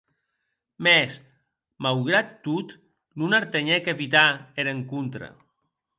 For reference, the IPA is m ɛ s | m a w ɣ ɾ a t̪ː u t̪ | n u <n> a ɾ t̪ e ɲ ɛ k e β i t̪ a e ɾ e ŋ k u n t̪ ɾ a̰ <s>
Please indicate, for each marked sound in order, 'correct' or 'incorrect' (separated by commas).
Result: correct, incorrect